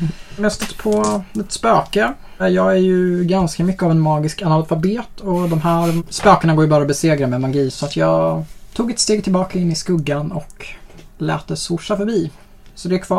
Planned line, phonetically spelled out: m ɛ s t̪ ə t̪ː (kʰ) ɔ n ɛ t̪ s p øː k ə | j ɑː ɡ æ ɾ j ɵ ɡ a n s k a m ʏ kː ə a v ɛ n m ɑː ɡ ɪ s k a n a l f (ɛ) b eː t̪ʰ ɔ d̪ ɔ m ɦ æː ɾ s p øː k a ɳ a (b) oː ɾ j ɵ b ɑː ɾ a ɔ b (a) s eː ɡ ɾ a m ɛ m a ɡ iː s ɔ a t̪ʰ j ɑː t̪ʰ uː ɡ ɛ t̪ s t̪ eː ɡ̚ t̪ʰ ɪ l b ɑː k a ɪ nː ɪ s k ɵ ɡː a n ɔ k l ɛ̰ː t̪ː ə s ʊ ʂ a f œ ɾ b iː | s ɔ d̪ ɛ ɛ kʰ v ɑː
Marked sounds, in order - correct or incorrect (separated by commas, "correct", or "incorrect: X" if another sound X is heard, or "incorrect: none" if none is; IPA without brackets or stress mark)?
incorrect: pʰ, incorrect: a, incorrect: ɡ, incorrect: ɛ